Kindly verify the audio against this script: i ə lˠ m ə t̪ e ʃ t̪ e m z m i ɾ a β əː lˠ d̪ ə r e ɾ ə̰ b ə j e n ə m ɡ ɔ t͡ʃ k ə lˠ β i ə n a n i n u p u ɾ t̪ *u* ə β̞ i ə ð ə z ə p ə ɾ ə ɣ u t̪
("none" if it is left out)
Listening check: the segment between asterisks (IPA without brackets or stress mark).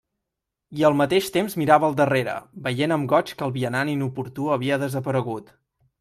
u